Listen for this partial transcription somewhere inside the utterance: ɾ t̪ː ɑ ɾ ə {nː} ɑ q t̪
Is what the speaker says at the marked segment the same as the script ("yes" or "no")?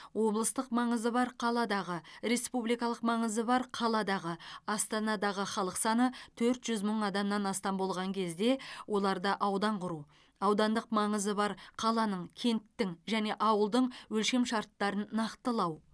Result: yes